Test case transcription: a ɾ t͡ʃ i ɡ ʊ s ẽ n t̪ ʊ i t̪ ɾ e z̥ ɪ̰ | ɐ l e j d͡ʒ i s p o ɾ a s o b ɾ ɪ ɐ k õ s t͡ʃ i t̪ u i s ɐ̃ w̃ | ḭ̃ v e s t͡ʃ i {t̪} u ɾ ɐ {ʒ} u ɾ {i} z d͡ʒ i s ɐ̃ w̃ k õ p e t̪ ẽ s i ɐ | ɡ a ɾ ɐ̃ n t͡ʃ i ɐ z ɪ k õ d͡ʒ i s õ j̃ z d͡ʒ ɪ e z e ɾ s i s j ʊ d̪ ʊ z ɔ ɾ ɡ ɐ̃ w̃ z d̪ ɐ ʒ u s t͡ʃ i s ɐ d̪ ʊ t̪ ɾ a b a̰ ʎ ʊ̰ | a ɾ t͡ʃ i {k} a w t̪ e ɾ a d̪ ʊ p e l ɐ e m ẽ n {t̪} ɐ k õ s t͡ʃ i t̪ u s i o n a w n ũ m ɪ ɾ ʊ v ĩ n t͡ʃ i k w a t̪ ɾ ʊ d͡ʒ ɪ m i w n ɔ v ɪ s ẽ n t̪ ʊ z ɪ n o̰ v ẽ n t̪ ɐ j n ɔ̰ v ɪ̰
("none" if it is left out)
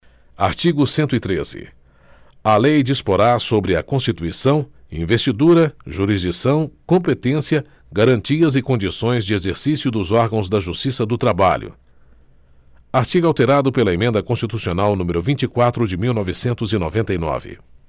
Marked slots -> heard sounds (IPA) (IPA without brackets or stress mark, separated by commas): d̪, ʒ, i, ɡ, d̪